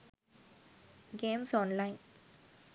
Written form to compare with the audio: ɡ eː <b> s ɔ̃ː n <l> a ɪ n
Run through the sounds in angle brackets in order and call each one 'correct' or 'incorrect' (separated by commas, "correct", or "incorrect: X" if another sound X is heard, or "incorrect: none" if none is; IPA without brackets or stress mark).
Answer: incorrect: m, correct